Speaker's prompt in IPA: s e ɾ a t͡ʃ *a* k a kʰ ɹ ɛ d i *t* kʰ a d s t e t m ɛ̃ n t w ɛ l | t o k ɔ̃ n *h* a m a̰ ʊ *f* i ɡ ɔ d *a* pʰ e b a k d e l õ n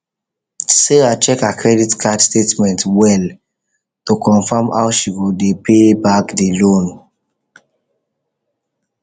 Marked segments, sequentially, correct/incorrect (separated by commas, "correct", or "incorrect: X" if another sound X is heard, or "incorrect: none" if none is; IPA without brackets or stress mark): incorrect: ɛ, correct, incorrect: f, incorrect: ʃ, incorrect: e